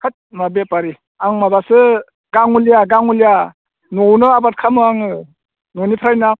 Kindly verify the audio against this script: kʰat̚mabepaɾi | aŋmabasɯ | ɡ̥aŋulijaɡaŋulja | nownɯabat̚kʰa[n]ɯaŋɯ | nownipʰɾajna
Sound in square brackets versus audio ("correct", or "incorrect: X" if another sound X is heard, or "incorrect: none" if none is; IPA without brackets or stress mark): incorrect: m